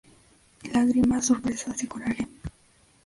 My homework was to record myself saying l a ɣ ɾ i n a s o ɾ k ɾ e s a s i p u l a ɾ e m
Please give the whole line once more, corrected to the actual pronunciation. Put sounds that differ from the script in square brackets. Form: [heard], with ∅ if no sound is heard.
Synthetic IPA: l a ɣ ɾ i [m] a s o ɾ [p] ɾ e s a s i [k] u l a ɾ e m